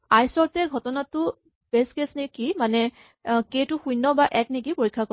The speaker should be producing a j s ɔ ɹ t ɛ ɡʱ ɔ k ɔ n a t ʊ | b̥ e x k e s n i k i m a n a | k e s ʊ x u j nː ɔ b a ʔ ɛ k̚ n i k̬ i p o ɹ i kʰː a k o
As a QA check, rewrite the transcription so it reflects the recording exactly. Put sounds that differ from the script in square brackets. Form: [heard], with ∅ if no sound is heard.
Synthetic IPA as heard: a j s ɔ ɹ t ɛ ɡʱ ɔ [t] ɔ n a t ʊ | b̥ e [s] k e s n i k i m a n [ɛ] | k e [t] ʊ x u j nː ɔ b a ʔ ɛ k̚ n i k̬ i p o ɹ i kʰː a k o